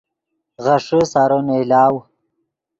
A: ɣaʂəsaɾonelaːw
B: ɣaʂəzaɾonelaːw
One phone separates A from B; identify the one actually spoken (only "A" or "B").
A